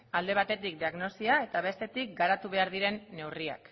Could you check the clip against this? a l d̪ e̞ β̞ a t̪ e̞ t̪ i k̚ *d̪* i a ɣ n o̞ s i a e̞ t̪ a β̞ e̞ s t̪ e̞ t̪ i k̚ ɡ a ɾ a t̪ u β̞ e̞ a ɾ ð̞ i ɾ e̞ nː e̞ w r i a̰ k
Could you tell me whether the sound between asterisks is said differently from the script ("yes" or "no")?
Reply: no